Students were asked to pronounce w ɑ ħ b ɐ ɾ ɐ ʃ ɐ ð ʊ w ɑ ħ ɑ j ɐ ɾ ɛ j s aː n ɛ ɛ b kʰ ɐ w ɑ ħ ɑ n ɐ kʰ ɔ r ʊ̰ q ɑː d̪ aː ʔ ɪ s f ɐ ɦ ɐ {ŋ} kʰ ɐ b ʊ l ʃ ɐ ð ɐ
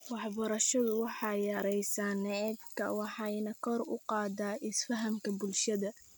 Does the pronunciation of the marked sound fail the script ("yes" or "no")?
yes